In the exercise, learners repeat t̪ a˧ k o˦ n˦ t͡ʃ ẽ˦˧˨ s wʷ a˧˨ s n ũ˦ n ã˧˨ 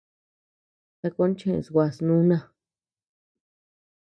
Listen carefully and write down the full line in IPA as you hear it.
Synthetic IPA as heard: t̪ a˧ k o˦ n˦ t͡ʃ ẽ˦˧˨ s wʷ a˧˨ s n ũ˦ n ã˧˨